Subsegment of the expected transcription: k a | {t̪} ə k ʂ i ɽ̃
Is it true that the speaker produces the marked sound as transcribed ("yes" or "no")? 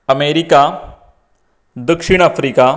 no